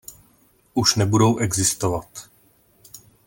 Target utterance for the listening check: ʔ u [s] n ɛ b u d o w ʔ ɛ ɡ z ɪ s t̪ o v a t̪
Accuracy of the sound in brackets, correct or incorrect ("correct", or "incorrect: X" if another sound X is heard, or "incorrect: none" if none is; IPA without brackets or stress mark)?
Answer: incorrect: ʃ